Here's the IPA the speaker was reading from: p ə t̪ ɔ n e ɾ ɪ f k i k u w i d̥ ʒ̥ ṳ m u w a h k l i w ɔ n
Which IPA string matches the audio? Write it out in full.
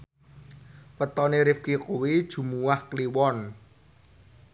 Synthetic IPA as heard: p ə t̪ ɔ n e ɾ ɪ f k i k u w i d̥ ʒ̥ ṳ m u w a h k l i w ɔ n